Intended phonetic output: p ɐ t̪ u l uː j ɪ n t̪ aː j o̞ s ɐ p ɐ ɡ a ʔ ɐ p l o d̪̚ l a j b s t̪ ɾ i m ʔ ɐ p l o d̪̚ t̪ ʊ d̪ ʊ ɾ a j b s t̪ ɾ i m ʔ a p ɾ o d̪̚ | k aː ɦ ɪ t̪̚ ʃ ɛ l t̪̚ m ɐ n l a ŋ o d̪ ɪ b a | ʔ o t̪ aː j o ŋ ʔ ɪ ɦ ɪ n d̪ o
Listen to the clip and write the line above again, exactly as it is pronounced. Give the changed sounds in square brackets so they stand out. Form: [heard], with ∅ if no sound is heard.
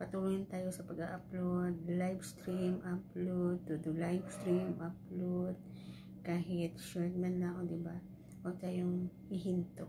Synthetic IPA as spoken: p ɐ t̪ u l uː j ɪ n t̪ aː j o̞ s ɐ p ɐ ɡ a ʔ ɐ p l o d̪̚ l a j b s t̪ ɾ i m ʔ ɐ p l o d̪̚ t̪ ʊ d̪ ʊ [l] a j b s t̪ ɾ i m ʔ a p [l] o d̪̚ | k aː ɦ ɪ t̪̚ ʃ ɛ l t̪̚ m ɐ n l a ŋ o d̪ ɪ b a | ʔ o t̪ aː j o ŋ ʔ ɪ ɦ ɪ n [t̪] o